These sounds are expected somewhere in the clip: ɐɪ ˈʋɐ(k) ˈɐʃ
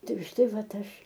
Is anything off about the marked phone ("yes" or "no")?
yes